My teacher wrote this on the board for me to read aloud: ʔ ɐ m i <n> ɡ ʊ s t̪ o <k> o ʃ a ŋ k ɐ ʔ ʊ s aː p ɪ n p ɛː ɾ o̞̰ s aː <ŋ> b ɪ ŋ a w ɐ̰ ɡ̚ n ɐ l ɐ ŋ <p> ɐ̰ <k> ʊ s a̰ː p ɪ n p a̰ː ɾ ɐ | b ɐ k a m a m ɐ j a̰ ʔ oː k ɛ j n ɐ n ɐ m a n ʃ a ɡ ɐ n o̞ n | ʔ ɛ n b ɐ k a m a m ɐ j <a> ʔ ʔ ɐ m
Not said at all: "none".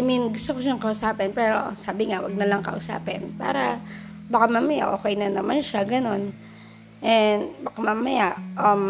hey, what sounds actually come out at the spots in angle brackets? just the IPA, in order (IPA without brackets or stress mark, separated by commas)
n, k, none, k, ʔ, a